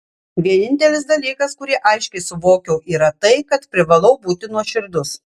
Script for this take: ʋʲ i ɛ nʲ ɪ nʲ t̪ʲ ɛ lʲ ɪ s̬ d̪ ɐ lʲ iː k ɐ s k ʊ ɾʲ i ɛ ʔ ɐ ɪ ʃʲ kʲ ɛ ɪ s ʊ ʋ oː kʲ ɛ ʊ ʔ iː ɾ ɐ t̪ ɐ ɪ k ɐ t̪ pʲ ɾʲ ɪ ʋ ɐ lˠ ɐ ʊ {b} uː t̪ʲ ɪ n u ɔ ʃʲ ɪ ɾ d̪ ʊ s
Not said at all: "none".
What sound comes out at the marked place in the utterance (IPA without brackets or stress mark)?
b